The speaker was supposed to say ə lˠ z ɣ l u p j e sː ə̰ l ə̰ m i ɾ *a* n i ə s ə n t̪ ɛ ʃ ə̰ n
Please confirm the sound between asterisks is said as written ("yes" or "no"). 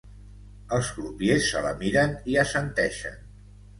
no